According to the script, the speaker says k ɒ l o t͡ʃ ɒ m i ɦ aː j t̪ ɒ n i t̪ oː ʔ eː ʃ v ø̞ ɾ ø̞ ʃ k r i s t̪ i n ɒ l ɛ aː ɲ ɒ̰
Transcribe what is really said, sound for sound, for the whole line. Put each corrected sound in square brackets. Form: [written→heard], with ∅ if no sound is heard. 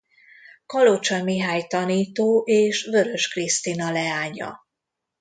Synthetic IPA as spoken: k ɒ l o t͡ʃ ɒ m i ɦ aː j t̪ ɒ n [i→iː] t̪ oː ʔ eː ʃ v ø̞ ɾ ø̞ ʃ k r i s t̪ i n ɒ l ɛ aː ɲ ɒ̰